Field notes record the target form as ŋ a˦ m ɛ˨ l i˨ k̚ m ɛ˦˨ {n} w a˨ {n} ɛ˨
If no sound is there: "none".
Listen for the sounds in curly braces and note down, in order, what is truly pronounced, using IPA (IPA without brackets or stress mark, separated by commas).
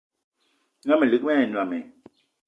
n, m